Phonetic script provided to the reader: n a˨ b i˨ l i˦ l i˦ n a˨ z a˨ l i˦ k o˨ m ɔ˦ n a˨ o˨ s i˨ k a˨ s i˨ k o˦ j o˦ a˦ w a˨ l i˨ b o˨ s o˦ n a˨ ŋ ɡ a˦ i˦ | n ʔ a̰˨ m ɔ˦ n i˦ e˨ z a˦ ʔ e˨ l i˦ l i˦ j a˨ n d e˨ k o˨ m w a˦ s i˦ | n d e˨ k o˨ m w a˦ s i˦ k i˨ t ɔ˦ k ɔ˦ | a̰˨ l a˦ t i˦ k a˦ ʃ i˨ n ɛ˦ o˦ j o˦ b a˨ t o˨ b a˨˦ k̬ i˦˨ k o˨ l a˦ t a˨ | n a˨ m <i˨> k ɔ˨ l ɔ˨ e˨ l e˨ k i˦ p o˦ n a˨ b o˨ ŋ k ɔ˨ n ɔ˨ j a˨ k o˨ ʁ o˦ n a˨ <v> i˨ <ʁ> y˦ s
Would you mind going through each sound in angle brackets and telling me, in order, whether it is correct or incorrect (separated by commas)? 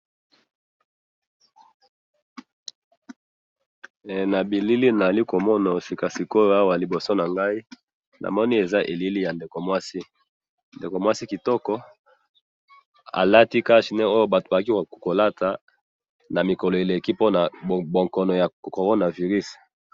correct, correct, correct